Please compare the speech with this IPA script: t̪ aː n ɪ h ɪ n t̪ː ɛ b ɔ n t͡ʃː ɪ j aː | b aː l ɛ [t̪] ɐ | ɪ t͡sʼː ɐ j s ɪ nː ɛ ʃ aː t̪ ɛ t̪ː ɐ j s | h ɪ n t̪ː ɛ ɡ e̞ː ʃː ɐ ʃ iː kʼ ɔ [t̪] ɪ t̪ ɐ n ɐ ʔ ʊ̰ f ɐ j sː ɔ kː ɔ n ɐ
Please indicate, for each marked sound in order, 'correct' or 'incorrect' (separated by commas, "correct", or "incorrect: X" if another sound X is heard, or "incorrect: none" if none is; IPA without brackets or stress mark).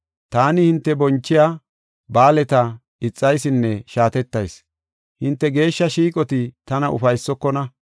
correct, correct